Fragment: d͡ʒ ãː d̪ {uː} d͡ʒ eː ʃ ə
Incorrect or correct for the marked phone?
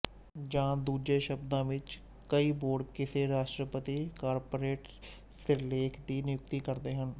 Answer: correct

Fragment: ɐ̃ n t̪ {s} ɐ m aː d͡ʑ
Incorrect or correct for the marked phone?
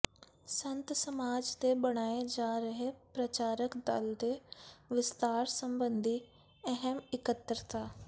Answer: correct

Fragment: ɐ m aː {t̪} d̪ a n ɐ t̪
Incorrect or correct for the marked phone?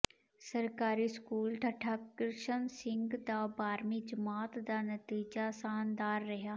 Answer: correct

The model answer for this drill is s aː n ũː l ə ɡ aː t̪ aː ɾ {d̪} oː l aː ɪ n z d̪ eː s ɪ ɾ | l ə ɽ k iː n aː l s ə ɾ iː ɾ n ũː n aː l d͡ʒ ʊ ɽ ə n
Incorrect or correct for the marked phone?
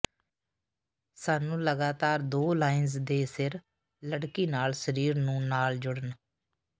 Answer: correct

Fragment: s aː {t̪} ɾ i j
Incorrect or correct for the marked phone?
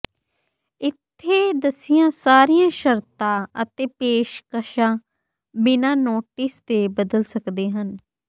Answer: incorrect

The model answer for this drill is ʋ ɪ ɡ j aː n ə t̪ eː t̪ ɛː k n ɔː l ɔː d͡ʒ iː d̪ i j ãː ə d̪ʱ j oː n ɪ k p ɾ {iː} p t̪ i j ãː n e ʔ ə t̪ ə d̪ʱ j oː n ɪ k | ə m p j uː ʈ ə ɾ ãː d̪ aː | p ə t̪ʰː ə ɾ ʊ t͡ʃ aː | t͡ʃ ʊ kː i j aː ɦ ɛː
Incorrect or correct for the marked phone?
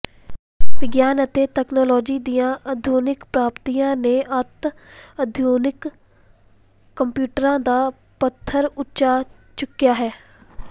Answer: incorrect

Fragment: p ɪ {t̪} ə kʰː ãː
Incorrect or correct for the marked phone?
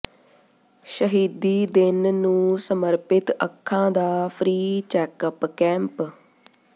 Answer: correct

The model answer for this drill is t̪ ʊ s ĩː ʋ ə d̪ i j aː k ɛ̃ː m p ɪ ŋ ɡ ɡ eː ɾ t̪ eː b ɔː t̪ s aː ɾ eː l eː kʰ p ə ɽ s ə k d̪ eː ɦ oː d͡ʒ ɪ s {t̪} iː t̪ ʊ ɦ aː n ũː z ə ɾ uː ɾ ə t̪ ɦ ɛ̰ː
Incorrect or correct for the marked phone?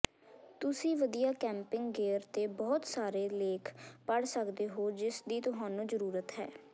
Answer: incorrect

